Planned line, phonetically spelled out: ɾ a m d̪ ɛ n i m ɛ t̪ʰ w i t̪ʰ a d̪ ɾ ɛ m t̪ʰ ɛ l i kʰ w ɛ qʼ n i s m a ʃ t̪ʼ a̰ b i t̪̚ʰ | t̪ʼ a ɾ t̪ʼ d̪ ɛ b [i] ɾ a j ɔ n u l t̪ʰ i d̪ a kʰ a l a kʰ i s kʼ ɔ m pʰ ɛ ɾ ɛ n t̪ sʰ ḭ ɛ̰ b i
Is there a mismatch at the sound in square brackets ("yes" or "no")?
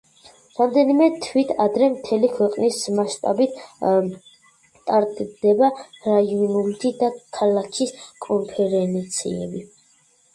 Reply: yes